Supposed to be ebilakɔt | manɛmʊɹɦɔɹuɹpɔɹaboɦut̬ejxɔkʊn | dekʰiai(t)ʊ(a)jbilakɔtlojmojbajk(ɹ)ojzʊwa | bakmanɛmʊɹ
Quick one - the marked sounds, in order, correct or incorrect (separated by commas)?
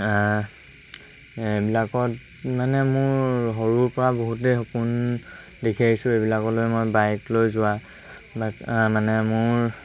incorrect, incorrect, incorrect